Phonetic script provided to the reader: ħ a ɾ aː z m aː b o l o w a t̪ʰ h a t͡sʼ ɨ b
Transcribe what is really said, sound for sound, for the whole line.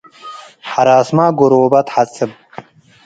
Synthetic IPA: ħ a ɾ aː s m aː ɡ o ɾ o b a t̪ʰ ħ a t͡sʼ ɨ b